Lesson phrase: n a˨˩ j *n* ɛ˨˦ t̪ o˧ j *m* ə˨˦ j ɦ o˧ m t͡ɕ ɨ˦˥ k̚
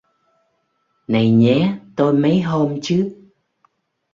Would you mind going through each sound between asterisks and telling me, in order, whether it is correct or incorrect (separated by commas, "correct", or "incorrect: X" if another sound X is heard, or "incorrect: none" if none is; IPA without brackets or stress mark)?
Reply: incorrect: ɲ, correct